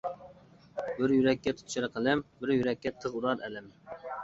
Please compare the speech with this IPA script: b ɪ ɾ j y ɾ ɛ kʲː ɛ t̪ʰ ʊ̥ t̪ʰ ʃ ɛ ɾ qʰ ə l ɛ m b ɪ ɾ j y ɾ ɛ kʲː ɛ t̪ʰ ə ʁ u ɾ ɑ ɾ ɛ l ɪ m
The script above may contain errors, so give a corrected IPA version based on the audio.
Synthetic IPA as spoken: b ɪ ɾ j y ɾ ɛ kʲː ɛ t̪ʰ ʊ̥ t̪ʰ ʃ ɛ ɾ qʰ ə l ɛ m b ɪ ɾ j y ɾ ɛ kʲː ɛ t̪ʰ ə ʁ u ɾ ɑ ɾ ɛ l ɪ m